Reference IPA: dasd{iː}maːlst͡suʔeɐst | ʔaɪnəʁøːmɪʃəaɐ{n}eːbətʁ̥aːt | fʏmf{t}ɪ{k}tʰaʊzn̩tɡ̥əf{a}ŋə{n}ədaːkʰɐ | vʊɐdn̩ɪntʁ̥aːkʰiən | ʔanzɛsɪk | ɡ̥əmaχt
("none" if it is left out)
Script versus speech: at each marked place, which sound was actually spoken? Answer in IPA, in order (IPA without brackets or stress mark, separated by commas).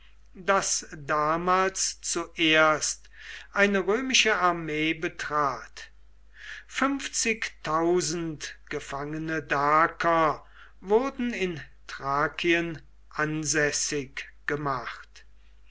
aː, m, t͡s, k, a, n